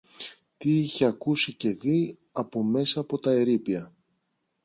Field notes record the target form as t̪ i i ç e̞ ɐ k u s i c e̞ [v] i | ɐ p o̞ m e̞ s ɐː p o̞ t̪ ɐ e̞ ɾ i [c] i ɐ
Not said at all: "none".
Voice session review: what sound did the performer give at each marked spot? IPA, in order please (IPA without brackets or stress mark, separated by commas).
ð, p